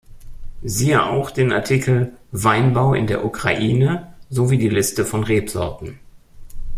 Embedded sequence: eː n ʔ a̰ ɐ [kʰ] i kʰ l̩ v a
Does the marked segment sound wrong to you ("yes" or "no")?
yes